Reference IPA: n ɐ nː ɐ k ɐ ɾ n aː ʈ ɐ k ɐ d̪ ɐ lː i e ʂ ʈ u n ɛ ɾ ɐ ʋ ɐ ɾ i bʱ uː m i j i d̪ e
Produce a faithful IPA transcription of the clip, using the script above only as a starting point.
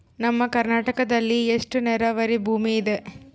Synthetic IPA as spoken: n ɐ mː ɐ k ɐ ɾ n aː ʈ ɐ k ɐ d̪ ɐ lː i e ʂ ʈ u n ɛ ɾ ɐ ʋ ɐ ɾ i bʱ uː m i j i d̪ e

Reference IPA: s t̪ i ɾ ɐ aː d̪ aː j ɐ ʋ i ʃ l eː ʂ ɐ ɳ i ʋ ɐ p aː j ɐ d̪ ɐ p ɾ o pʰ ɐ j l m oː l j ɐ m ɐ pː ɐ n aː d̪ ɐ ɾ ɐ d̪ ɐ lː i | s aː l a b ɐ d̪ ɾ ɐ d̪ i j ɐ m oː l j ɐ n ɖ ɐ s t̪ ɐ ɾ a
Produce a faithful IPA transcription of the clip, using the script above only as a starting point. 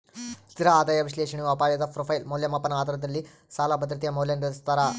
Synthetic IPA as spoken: s t̪ i ɾ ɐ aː d̪ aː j ɐ ʋ i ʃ l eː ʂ ɐ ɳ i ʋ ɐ p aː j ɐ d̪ ɐ p ɾ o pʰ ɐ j l m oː l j ɐ m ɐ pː ɐ n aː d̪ ɐ ɾ ɐ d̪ ɐ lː i | s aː l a b ɐ d̪ ɾ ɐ t̪ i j ɐ m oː l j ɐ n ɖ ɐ s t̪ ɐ ɾ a

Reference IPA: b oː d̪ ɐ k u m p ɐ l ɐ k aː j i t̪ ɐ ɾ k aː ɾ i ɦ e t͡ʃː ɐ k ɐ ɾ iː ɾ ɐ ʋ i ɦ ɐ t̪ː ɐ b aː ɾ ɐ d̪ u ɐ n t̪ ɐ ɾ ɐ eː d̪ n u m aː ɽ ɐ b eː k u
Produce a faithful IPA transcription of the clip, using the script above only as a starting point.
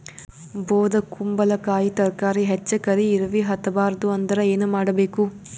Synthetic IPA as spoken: b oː d̪ ɐ k u m b ɐ l ɐ k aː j i t̪ ɐ ɾ k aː ɾ i ɦ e t͡ʃː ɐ k ɐ ɾ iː ɾ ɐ ʋ i ɦ ɐ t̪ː ɐ b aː ɾ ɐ d̪ u ɐ n d̪ ɐ ɾ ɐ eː n u m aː ɽ ɐ b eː k u

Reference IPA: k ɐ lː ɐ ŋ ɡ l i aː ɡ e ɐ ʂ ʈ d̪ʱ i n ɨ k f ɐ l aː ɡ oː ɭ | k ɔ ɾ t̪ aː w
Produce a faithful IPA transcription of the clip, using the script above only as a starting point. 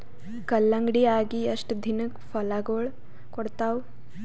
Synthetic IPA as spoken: k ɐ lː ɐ ŋ ɡ ɽ i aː ɡ i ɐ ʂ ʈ d̪ʱ i n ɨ k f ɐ l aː ɡ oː ɭ | k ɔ ɽ t̪ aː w

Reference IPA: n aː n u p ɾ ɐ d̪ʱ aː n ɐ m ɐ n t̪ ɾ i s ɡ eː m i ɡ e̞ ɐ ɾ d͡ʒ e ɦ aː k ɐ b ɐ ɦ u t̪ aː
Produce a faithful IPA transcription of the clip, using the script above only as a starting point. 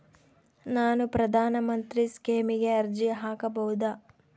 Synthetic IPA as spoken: n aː n u p ɾ ɐ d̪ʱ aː n ɐ m ɐ n t̪ ɾ i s k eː m i ɡ e̞ ɐ ɾ d͡ʒ i ɦ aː k ɐ b ɐ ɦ u d̪ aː

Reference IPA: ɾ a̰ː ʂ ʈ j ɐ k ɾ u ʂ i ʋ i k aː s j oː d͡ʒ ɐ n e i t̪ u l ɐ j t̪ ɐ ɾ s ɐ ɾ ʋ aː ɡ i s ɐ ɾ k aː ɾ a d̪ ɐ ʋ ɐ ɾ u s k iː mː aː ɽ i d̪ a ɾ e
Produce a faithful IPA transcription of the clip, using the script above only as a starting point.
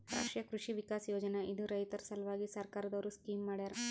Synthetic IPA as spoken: ɾ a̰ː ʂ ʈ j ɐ k ɾ u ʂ i ʋ i k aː s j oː d͡ʒ ɐ n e i d̪ u ɾ ɐ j t̪ ɐ ɾ s ɐ l ʋ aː ɡ i s ɐ ɾ k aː ɾ ɐ d̪ ɐ ʋ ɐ ɾ u s k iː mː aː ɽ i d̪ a ɾ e

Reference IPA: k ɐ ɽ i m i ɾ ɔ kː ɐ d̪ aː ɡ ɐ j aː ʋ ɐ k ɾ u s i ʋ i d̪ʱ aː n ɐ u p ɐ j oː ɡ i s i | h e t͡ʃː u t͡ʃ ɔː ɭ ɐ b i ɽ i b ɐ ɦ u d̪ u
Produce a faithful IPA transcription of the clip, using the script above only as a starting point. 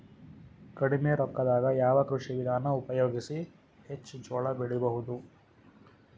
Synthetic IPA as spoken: k ɐ ɽ i m e ɾ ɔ kː ɐ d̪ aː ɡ ɐ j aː ʋ ɐ k ɾ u ʂ i ʋ i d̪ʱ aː n ɐ u p ɐ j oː ɡ i s i | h e t͡ʃː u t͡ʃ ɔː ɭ ɐ b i ɽ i b ɐ ɦ u d̪ u

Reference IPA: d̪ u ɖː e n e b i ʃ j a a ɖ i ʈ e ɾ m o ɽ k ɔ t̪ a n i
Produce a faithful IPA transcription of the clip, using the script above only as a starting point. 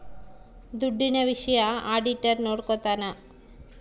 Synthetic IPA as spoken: d̪ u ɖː i n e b i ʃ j a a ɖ i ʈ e ɾ n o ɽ k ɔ t̪ a n a

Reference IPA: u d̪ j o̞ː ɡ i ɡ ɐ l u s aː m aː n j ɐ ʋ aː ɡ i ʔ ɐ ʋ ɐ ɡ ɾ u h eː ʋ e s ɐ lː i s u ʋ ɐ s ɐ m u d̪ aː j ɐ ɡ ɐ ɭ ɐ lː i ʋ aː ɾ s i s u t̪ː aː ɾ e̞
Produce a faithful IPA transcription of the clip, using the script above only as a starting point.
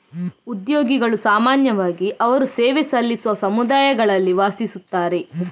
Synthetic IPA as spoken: u d̪ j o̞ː ɡ i ɡ ɐ ɭ u s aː m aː n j ɐ ʋ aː ɡ i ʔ ɐ ʋ ɐ ɾ u s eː ʋ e s ɐ lː i s u ʋ ɐ s ɐ m u d̪ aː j ɐ ɡ ɐ ɭ ɐ lː i ʋ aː s i s u t̪ː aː ɾ e̞

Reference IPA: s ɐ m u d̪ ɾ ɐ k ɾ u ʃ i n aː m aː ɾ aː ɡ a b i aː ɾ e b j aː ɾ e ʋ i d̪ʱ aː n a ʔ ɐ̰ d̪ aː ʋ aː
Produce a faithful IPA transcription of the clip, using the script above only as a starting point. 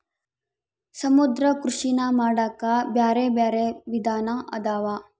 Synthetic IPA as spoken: s ɐ m u d̪ ɾ ɐ k ɾ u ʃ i n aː m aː ɽ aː k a b j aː ɾ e b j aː ɾ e ʋ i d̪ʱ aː n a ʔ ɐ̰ d̪ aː ʋ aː

